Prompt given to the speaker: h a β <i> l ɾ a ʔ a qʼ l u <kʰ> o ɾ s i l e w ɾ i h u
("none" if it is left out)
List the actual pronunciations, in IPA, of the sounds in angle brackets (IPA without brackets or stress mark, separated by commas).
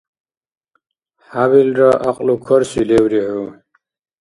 i, kʰ